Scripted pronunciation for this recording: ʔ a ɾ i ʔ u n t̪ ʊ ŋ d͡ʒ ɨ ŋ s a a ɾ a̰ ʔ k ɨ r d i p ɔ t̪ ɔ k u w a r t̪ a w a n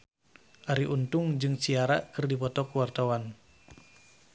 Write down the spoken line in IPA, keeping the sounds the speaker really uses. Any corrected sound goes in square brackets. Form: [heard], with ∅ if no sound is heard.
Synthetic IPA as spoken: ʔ a ɾ i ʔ u n t̪ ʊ ŋ d͡ʒ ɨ ŋ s [i] a ɾ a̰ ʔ k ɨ r d i p ɔ t̪ ɔ k u w a r t̪ a w a n